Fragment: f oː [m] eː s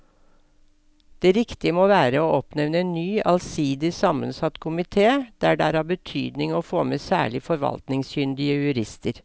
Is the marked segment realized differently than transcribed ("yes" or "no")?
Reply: no